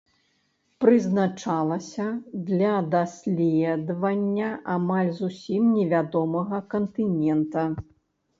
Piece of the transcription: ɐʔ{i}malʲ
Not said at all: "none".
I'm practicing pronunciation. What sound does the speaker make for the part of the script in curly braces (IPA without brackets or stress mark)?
a